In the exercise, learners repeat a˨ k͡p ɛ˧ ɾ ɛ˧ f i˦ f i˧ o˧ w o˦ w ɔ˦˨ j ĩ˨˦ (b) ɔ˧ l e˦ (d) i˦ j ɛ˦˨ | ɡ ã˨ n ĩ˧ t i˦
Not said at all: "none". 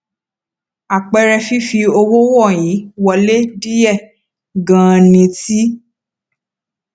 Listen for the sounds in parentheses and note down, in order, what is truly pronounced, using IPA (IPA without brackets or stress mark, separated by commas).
w, d